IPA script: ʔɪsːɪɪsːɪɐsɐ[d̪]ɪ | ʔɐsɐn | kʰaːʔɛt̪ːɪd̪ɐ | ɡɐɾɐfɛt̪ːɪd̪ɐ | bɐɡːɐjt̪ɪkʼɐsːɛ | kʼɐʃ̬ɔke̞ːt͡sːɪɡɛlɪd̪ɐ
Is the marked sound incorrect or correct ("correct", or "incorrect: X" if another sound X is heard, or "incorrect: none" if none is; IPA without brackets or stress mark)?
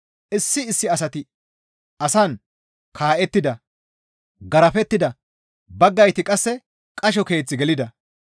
incorrect: t̪